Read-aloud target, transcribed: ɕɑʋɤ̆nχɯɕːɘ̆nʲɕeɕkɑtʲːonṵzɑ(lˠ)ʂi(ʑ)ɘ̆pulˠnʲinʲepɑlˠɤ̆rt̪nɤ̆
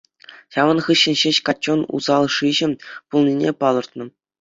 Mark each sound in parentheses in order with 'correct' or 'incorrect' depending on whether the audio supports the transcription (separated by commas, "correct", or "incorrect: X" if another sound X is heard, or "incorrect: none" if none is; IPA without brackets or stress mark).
correct, correct